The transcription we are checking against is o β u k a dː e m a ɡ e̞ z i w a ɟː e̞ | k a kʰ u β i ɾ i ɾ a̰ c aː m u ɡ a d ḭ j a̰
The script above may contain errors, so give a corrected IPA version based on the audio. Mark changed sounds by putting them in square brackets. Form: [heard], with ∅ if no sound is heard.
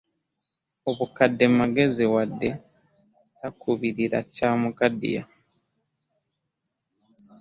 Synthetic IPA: o β u k a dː e m a ɡ e̞ z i w a [dː] e̞ | [t] a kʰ u β i ɾ i ɾ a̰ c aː m u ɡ a d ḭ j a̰